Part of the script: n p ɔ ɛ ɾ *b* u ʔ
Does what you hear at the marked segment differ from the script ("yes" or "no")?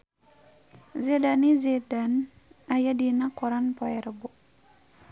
no